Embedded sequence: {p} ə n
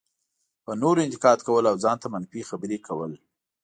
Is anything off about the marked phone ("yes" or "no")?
no